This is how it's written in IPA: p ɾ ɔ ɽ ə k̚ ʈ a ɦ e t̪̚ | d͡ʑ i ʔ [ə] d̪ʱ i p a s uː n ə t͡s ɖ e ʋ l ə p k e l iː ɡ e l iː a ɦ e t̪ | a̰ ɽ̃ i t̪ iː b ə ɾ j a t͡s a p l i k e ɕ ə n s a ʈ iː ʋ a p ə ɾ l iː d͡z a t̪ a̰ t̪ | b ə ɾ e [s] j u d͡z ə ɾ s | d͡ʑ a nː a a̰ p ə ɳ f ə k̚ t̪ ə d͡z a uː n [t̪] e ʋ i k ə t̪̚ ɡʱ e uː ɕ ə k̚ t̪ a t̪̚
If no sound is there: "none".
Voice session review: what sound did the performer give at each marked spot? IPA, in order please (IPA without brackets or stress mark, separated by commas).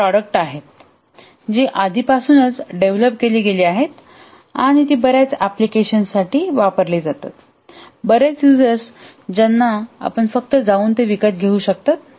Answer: a, t͡s, t̪